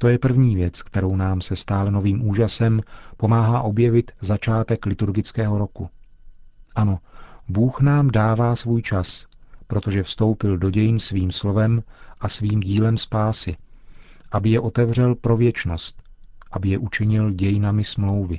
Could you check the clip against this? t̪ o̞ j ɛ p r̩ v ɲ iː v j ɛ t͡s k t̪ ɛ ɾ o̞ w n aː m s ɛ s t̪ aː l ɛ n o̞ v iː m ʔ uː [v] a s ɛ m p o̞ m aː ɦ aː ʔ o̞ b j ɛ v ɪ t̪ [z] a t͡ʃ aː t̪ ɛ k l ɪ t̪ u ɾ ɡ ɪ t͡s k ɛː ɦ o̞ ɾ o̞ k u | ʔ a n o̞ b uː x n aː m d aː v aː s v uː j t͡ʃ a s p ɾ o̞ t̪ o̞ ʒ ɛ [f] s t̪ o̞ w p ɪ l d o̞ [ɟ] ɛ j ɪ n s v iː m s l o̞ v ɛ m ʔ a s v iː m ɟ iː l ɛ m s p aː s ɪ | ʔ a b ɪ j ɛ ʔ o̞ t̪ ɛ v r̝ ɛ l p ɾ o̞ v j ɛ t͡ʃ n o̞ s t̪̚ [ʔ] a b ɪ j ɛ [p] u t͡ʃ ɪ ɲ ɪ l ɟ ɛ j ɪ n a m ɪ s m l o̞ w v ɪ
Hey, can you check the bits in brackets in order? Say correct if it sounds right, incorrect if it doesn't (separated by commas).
incorrect, correct, correct, correct, correct, incorrect